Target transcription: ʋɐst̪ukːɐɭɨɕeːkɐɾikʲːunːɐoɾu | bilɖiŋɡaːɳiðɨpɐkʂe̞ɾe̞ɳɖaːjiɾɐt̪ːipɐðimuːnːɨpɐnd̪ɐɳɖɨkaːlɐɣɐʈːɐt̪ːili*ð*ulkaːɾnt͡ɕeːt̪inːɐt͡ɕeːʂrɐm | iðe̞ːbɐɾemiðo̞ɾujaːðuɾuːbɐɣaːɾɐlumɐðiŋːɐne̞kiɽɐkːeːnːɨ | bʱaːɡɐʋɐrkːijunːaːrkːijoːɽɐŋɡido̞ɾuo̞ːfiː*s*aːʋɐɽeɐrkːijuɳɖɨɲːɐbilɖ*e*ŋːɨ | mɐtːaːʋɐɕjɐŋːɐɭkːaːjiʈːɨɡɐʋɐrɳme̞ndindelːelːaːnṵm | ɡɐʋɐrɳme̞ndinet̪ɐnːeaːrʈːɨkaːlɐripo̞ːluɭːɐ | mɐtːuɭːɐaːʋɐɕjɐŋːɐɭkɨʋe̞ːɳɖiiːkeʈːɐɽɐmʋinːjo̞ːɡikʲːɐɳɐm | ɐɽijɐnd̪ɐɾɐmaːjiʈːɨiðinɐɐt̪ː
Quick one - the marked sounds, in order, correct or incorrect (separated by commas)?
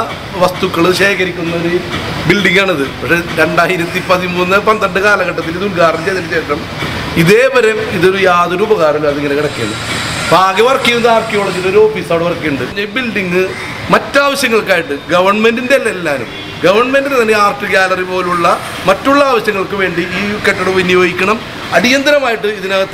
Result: correct, correct, incorrect